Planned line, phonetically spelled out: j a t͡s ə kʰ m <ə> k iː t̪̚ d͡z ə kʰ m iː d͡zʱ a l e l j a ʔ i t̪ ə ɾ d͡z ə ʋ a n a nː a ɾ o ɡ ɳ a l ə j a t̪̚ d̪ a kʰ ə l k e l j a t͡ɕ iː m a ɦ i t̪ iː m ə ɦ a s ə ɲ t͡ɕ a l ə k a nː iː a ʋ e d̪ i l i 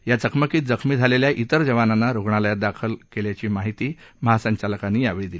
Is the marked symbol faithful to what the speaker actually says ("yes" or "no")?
yes